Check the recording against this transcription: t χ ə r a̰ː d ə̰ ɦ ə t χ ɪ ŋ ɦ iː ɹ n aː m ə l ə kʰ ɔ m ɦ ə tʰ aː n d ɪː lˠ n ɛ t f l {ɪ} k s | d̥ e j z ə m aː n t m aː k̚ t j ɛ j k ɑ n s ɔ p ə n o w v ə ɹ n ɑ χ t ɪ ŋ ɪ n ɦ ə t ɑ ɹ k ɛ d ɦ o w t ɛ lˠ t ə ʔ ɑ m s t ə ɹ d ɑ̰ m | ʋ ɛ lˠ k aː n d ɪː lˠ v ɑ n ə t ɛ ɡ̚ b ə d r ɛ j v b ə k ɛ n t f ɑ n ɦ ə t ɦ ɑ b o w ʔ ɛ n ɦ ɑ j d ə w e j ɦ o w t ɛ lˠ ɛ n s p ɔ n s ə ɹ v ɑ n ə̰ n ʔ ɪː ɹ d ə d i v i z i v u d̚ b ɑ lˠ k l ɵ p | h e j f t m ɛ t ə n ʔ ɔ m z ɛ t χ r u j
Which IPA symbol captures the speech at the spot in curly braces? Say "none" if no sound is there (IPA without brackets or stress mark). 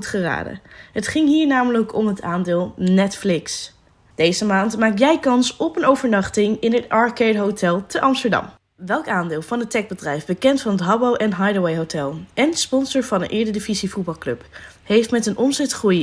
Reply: ɪ